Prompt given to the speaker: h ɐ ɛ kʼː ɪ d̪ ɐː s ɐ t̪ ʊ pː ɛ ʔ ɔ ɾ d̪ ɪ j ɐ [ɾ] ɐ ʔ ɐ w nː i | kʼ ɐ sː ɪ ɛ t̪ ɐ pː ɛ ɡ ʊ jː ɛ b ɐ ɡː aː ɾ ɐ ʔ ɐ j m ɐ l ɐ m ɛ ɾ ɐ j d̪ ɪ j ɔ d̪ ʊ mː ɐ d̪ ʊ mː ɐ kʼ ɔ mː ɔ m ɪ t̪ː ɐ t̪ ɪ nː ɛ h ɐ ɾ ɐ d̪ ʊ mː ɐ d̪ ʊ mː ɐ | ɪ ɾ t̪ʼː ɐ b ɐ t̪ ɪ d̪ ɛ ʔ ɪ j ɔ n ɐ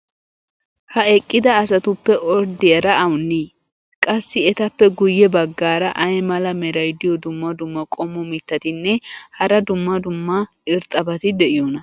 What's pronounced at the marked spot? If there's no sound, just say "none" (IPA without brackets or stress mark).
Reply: ɾ